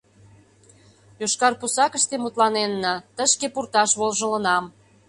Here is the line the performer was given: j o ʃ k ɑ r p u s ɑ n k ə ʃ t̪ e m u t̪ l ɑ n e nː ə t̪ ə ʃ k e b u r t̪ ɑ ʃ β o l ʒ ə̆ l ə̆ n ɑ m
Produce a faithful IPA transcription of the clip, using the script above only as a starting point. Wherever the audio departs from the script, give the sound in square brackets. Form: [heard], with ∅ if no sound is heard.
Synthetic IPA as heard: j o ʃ k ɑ r p u s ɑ [∅] k ə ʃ t̪ e m u t̪ l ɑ n e nː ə t̪ ə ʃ k e [p] u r t̪ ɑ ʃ β o l ʒ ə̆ l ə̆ n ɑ m